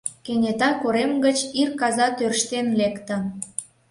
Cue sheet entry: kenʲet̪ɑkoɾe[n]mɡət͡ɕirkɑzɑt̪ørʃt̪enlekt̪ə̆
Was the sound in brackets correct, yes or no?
no